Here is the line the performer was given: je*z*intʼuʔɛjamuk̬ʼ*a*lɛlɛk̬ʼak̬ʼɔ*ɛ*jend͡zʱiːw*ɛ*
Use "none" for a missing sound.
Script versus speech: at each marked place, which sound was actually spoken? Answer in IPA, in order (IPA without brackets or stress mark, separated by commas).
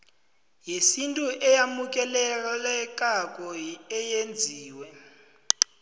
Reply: s, ɛ, ɛ, ɛ